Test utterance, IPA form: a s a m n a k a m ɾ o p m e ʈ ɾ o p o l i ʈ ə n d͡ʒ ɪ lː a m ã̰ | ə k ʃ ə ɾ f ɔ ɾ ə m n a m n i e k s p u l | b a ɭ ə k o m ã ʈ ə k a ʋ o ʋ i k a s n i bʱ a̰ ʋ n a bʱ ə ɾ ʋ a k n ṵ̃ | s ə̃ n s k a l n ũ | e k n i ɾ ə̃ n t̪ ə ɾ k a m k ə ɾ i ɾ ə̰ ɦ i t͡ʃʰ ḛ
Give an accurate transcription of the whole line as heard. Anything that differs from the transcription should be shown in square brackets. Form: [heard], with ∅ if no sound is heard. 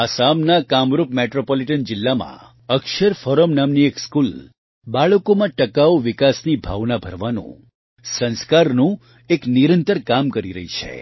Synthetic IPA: a s a m n a k a m ɾ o p m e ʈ ɾ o p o l i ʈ ə n d͡ʒ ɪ lː a m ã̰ | ə k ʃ ə ɾ f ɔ ɾ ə m n a m n i e k s [k] u l | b a ɭ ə k o m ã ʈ ə k a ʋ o ʋ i k a s n i bʱ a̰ ʋ n a bʱ ə ɾ ʋ a [∅] n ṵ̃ | s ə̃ n s k a [ɾ] n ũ | e k n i ɾ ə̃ n t̪ ə ɾ k a m k ə ɾ i ɾ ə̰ ɦ i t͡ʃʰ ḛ

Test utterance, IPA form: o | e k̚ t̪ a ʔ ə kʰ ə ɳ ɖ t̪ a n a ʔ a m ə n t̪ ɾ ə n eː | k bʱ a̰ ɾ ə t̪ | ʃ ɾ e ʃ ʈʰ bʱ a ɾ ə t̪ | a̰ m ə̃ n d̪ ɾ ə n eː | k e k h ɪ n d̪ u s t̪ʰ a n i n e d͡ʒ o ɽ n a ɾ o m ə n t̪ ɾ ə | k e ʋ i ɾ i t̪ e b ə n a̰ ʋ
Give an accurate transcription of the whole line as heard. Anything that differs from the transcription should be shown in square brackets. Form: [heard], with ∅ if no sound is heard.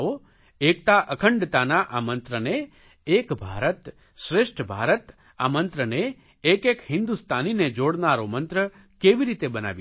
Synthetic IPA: o | e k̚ t̪ a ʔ ə kʰ ə ɳ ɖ t̪ a n a ʔ a m ə n t̪ ɾ ə n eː | k bʱ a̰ ɾ ə t̪ | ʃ ɾ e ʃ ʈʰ bʱ a ɾ ə t̪ | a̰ m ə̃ n [t̪] ɾ ə n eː | k e k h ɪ n d̪ u s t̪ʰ a n i n e d͡ʒ o ɽ n a ɾ o m ə n t̪ ɾ ə | k e ʋ i ɾ i t̪ e b ə n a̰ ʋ

